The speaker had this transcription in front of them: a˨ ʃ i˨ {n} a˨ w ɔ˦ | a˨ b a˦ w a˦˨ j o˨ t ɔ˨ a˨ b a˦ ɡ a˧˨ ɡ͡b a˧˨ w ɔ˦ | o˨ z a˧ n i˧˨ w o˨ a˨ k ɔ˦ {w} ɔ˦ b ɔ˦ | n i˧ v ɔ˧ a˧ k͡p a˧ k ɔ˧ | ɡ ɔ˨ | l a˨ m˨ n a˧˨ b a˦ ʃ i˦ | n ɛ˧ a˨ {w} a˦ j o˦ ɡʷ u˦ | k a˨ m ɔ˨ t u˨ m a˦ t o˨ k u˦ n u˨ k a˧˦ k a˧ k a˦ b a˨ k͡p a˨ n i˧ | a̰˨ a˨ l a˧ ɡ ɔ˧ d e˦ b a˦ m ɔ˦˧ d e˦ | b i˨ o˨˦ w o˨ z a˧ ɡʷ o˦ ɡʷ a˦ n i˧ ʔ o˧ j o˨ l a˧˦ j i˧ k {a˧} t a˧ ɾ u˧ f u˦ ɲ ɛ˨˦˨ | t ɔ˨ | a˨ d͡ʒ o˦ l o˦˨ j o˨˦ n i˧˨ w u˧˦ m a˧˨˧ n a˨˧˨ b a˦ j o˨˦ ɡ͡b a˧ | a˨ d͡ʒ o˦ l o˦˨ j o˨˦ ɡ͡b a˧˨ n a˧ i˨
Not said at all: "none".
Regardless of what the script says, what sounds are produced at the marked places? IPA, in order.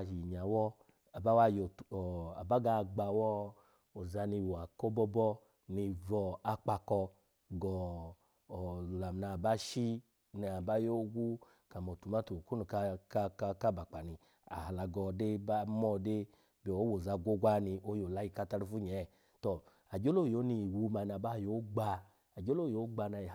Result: ɲ, b, b, a˧

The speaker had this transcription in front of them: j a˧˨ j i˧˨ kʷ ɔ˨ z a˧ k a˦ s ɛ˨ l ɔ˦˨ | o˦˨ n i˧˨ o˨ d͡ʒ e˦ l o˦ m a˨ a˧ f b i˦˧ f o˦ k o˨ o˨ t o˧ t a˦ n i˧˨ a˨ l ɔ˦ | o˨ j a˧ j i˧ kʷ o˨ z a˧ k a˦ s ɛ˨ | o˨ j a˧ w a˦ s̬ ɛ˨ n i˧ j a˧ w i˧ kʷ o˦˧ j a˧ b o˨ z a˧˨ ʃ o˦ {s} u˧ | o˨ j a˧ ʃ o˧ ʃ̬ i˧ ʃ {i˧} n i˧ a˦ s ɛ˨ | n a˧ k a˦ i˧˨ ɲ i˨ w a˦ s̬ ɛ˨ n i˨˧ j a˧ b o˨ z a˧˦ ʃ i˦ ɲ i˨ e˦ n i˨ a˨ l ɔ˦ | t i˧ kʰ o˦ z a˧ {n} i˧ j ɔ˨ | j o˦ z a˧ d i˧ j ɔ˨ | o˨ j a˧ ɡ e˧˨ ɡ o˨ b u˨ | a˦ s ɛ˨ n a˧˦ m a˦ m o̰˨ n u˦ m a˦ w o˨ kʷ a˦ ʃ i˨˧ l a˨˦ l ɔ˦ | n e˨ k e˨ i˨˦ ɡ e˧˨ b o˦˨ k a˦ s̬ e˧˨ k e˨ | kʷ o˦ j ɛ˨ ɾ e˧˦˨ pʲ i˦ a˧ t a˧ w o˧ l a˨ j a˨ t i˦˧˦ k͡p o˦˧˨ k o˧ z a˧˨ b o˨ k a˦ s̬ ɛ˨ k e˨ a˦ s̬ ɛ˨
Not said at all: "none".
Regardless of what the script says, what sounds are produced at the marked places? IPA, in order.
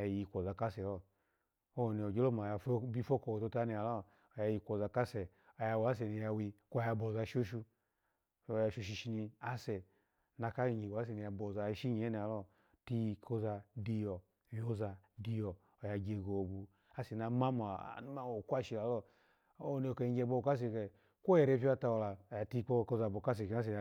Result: ʃ, i˧, d

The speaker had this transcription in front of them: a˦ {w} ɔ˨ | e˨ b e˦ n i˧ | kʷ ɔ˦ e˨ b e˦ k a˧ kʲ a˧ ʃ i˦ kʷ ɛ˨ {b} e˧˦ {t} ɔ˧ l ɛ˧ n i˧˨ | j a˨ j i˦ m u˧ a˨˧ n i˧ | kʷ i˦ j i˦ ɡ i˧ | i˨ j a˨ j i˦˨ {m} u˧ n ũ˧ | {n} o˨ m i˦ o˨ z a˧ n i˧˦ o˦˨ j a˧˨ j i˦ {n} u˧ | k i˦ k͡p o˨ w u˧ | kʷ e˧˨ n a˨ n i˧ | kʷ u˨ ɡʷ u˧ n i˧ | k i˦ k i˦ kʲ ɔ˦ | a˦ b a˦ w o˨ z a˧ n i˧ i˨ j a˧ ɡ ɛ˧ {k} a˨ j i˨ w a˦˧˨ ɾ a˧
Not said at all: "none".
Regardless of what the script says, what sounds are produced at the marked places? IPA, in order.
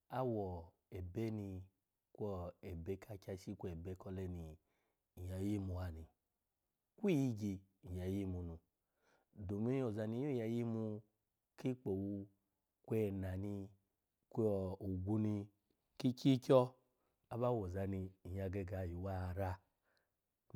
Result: w, b, k, m, d, m, ɡ

